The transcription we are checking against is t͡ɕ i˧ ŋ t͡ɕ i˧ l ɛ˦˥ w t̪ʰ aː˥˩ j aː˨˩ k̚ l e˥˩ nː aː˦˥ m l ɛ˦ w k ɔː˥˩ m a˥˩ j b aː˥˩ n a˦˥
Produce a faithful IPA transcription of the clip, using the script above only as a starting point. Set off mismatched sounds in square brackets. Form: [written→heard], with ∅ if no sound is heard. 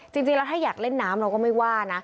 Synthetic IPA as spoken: t͡ɕ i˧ ŋ t͡ɕ i˧ l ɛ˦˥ w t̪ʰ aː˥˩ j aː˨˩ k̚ l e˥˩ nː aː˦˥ m [l→ɾ] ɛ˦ w k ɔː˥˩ m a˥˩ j [b→w] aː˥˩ n a˦˥